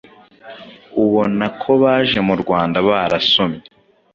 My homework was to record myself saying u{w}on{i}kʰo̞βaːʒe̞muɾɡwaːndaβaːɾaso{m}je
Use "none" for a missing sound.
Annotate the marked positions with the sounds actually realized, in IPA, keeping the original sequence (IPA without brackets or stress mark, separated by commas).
β, a, m